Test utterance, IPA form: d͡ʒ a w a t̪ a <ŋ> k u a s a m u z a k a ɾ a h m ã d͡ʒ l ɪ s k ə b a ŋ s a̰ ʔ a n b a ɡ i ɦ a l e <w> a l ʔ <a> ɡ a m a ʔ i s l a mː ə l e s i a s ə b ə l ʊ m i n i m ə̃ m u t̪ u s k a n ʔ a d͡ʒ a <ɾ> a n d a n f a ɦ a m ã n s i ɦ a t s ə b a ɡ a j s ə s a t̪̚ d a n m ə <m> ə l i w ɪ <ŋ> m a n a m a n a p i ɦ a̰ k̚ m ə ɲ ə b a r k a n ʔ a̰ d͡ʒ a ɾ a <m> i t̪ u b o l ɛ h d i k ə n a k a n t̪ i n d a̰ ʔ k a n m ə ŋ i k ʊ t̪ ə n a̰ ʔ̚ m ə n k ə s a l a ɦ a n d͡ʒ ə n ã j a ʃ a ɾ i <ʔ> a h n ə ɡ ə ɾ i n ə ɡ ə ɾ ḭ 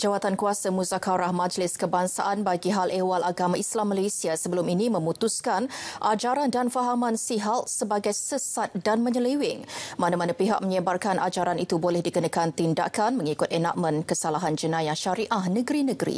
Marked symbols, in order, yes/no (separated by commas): no, yes, yes, yes, no, yes, no, yes